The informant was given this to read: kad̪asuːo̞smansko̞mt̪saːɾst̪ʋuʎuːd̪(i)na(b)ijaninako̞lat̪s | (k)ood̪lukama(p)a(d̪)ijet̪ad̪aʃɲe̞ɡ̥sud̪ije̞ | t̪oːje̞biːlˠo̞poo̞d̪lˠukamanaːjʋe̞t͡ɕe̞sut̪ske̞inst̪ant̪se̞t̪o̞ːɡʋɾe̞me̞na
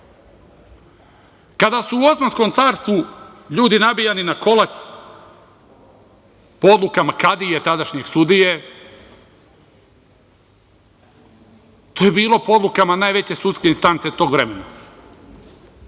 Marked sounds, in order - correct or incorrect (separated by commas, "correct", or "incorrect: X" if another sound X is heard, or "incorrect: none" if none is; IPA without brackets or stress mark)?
correct, correct, incorrect: p, incorrect: k, correct